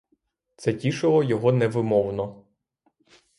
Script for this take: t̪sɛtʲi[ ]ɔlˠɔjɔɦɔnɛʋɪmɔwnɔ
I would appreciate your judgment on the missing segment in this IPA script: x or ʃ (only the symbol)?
ʃ